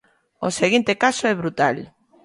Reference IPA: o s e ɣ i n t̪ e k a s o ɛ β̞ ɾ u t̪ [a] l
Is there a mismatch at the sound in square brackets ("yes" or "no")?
no